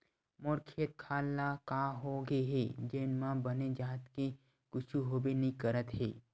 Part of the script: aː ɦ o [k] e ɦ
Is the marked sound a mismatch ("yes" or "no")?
yes